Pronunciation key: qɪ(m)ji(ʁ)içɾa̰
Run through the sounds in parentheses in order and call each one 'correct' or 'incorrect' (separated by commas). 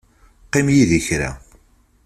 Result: correct, incorrect